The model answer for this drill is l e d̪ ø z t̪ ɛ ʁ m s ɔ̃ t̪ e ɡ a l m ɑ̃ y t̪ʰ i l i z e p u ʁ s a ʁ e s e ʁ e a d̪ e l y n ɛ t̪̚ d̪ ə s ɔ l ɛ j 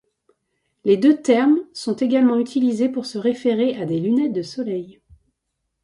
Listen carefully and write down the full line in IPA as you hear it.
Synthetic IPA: l e d̪ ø t̪ ɛ ʁ m s ɔ̃ t̪ e ɡ a l m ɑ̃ y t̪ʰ i l i z e p u ʁ s ə ʁ e f e ʁ e a d̪ e l y n ɛ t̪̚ d̪ ə s ɔ l ɛ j